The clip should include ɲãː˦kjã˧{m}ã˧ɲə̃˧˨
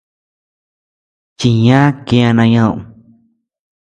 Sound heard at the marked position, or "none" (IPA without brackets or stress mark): n